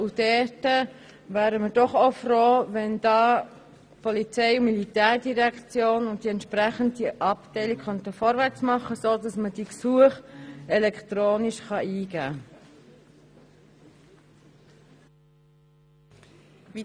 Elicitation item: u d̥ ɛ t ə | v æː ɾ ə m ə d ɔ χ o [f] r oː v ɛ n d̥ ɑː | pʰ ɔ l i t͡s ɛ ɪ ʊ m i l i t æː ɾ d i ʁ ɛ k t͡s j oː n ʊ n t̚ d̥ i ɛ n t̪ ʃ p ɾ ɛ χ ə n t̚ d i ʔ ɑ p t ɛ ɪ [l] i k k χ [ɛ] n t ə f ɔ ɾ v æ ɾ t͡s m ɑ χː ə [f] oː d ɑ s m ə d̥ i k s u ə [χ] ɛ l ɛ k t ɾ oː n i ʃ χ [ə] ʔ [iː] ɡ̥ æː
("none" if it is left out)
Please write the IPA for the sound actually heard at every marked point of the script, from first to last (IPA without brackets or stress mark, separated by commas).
f, l, œ, s, χ, ɑ, iː